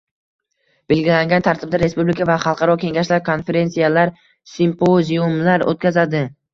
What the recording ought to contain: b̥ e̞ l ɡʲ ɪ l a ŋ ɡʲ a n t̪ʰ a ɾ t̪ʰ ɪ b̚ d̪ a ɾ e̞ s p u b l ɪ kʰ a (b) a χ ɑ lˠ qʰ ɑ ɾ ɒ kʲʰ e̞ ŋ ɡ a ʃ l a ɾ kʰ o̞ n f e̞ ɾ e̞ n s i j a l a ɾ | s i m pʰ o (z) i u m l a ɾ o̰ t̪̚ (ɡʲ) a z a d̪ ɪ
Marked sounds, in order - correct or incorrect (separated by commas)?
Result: incorrect, correct, incorrect